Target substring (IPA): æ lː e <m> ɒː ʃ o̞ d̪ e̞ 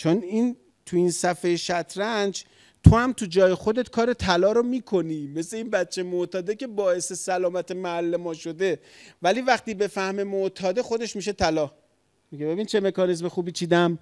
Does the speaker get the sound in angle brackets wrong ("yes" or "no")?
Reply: no